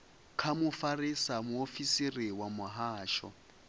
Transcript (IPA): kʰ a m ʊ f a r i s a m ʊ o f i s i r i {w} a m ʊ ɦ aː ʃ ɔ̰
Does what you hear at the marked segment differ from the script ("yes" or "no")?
no